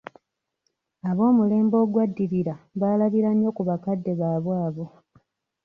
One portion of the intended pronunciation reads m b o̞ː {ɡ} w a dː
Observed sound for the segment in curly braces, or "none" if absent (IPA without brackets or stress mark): ɡ